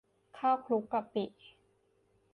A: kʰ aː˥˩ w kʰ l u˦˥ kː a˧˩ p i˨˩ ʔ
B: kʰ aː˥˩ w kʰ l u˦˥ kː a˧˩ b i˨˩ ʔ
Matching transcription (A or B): A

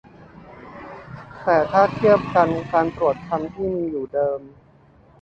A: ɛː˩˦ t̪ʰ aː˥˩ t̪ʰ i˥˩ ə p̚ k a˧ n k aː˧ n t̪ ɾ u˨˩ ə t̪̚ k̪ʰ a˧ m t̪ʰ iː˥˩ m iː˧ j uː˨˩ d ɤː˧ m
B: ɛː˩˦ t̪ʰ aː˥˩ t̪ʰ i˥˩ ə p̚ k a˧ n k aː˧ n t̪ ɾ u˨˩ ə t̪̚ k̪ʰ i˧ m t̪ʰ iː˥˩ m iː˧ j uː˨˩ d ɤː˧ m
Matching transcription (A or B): A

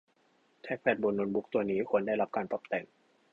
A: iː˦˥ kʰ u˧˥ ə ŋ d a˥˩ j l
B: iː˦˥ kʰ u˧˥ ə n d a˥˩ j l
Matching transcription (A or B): B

